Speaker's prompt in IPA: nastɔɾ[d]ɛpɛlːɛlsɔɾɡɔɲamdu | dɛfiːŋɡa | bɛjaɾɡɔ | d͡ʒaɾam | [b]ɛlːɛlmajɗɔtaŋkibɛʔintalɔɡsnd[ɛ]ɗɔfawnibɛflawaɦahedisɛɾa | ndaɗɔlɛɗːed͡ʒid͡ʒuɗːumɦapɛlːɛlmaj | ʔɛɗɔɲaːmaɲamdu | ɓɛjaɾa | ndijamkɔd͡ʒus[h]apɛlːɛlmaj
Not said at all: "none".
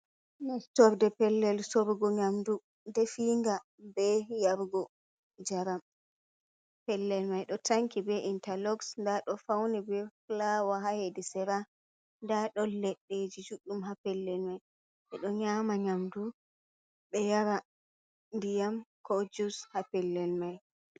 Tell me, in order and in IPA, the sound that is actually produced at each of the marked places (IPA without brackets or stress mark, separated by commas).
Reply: d, p, a, h